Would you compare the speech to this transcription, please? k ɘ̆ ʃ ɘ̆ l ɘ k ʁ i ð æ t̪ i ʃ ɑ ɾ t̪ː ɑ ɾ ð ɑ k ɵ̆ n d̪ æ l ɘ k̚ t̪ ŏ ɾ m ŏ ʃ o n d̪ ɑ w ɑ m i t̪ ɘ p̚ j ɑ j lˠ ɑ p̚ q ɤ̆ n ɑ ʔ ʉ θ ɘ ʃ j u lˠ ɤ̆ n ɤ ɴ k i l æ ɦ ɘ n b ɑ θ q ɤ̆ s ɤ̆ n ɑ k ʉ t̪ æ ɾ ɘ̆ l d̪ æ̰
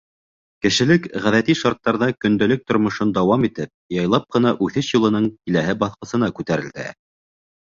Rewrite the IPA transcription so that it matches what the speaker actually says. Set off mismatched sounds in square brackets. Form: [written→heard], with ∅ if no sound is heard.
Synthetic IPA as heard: k ɘ̆ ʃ ɘ̆ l ɘ k ʁ [i→æ] ð æ t̪ i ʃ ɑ ɾ t̪ː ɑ ɾ ð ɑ k ɵ̆ n d̪ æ l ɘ k̚ t̪ ŏ ɾ m ŏ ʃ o n d̪ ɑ w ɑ m i t̪ ɘ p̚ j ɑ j lˠ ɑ p̚ q ɤ̆ n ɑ ʔ ʉ θ ɘ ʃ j u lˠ ɤ̆ n ɤ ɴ k i l æ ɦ ɘ [n→∅] b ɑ θ q ɤ̆ s ɤ̆ n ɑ k ʉ t̪ æ ɾ ɘ̆ l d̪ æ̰